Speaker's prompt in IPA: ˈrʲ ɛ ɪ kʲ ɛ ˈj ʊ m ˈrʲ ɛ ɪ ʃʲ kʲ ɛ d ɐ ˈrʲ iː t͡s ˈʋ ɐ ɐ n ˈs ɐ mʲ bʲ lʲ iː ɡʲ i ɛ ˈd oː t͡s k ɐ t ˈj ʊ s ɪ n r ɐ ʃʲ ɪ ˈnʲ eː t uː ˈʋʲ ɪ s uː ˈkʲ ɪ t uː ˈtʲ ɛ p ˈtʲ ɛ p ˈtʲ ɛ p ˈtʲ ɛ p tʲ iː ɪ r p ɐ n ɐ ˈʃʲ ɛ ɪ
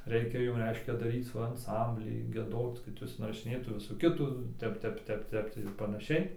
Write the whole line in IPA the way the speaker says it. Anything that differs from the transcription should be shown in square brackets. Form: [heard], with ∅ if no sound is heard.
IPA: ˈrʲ ɛ ɪ kʲ ɛ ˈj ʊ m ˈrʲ ɛ ɪ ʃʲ kʲ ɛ d ɐ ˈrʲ iː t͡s ˈʋ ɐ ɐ n ˈs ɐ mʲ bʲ lʲ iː ɡʲ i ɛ ˈd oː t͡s k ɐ t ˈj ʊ s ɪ n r ɐ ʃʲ ɪ ˈnʲ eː t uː ˈʋʲ ɪ s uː ˈkʲ ɪ t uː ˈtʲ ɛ p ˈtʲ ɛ p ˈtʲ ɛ p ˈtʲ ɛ p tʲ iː ɪ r p ɐ n ɐ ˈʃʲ ɛ ɪ